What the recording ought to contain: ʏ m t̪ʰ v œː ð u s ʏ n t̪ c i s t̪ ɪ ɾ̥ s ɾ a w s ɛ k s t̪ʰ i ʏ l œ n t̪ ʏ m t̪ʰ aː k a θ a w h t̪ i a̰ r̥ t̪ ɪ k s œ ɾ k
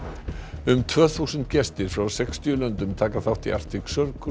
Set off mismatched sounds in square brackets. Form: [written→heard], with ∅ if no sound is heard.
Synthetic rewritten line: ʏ m t̪ʰ v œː [ð→θ] u s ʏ n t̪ c [i→ɛ] s t̪ ɪ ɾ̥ [s→f] ɾ a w s ɛ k s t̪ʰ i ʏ l œ n t̪ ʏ m t̪ʰ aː k a θ a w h t̪ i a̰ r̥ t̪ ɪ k s œ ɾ k